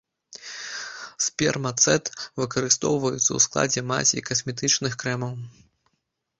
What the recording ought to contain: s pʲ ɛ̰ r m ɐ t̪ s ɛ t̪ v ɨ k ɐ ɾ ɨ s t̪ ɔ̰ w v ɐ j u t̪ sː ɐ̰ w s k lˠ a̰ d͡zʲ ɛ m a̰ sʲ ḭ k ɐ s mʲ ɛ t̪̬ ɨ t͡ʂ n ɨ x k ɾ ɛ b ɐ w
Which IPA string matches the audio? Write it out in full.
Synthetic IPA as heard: s pʲ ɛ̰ r m ɐ t̪ s ɛ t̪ v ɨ k ɐ ɾ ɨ s t̪ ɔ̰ w v ɐ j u t̪ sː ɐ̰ w s k lˠ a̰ d͡zʲ ɛ m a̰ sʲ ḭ k ɐ s mʲ ɛ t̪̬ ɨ t͡ʂ n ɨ x k ɾ ɛ m ɐ w